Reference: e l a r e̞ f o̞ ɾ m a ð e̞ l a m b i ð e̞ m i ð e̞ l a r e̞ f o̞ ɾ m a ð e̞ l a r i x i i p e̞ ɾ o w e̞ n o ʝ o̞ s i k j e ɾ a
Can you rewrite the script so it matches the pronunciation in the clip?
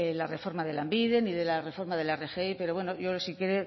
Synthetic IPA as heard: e l a r e̞ f o̞ ɾ m a ð e̞ l a m b i ð e̞ n i ð e̞ l a r e̞ f o̞ ɾ m a ð e̞ l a r e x e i p e̞ ɾ o w e̞ n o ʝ o̞ s i k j e ɾ e